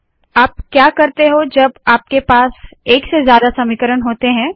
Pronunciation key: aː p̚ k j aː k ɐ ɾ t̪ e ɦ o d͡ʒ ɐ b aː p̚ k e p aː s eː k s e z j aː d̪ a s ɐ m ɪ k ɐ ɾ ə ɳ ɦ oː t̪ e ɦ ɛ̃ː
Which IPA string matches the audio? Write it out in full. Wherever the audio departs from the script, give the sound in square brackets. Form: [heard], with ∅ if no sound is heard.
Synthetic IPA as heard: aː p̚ k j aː k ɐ ɾ t̪ e ɦ o d͡ʒ ɐ b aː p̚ k e p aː s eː k s e z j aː d̪ a s ɐ m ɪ k [ə] ɾ ə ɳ ɦ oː t̪ e ɦ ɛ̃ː